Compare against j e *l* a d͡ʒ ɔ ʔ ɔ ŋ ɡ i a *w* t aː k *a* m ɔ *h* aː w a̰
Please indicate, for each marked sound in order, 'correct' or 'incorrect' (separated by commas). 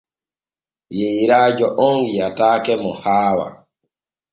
incorrect, incorrect, incorrect, correct